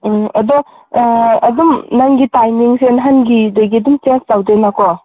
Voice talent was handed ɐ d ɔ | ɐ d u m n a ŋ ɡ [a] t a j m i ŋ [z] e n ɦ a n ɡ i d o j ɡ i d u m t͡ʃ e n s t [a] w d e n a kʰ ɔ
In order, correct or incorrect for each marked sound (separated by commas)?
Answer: incorrect, incorrect, correct